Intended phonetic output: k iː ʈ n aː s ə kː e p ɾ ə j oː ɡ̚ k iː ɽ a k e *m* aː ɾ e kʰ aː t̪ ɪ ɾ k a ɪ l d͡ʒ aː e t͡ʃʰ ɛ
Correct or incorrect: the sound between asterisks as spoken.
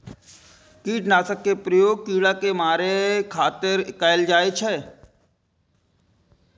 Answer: correct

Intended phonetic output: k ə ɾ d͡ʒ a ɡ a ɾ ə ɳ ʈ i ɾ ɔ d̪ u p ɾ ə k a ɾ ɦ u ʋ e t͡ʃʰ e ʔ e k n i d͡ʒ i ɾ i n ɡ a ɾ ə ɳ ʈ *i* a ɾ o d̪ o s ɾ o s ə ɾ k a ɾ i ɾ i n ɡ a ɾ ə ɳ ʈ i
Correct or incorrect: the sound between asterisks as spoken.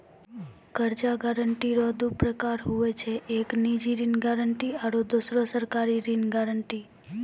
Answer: correct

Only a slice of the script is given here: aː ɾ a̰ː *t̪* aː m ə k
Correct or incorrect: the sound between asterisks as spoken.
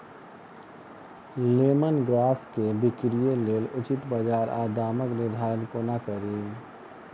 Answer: incorrect: d̪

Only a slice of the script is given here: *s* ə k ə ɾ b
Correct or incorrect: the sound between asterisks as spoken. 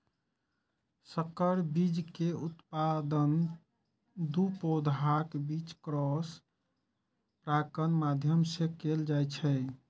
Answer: correct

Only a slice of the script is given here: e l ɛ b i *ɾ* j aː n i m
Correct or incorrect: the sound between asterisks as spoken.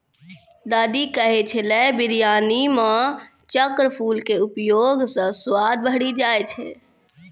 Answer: correct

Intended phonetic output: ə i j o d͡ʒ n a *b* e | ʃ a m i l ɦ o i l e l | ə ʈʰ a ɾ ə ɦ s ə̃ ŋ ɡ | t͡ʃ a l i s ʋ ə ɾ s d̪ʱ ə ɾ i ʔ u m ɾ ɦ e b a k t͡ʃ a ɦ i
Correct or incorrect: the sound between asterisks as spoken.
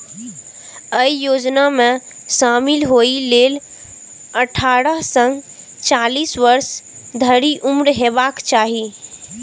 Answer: incorrect: m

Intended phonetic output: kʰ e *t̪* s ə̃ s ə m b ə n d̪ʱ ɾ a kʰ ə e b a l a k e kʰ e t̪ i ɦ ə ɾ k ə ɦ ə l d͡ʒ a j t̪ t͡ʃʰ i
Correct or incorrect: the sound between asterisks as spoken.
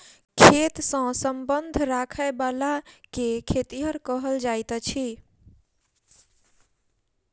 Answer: correct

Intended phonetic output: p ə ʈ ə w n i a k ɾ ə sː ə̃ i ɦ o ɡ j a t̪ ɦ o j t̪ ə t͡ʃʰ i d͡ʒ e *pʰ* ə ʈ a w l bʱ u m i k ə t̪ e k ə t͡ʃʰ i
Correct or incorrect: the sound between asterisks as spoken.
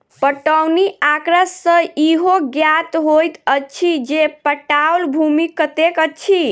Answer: incorrect: p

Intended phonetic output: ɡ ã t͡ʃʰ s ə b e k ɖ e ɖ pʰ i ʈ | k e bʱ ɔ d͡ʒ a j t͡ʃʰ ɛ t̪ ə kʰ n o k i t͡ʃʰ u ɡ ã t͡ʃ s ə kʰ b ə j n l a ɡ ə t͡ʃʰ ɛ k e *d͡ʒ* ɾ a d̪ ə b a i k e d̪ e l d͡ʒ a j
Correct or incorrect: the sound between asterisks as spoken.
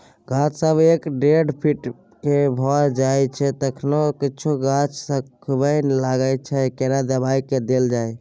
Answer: incorrect: none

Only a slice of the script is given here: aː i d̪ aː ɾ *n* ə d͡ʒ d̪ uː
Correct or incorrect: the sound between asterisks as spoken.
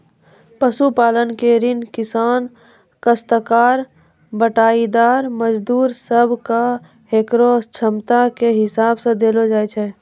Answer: incorrect: m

